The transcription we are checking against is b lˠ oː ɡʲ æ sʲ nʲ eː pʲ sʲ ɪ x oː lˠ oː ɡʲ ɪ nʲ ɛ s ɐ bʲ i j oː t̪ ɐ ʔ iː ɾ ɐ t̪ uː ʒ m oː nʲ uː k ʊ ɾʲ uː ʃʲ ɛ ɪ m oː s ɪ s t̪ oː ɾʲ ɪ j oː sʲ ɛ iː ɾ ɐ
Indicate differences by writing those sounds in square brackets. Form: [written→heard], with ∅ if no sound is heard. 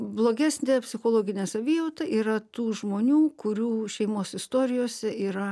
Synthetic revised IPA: b lˠ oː ɡʲ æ sʲ nʲ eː pʲ sʲ ɪ x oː lˠ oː ɡʲ ɪ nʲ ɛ s ɐ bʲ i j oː t̪ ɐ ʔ iː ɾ ɐ t̪ uː ʒ m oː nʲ uː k ʊ ɾʲ uː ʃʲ ɛ ɪ m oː s ɪ s t̪ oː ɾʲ ɪ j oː sʲ ɛ iː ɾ ɐ